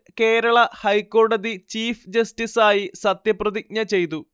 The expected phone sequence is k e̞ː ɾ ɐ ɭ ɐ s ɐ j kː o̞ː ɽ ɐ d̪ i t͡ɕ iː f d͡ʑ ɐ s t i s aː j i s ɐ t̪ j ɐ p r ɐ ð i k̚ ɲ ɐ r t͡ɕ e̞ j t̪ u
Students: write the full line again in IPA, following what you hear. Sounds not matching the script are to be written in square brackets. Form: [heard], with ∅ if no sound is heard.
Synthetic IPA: k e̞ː ɾ ɐ ɭ ɐ [h] ɐ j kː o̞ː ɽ ɐ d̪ i t͡ɕ iː f d͡ʑ ɐ s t i s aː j i s ɐ t̪ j ɐ p r ɐ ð i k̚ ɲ ɐ [∅] t͡ɕ e̞ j t̪ u